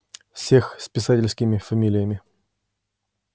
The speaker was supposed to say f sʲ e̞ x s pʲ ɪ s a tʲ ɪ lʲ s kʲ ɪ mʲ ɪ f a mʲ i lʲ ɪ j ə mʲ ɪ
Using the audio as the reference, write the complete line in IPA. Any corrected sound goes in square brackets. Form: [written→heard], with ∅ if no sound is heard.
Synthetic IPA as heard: f sʲ e̞ x s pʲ ɪ s a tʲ ɪ lʲ s kʲ ɪ mʲ ɪ f [a→ɐ] mʲ i lʲ ɪ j ə mʲ ɪ